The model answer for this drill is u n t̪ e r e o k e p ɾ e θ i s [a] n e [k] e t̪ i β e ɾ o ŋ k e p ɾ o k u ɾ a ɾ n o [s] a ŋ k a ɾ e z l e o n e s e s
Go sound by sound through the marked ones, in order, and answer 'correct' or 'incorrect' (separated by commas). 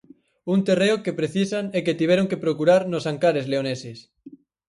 correct, correct, correct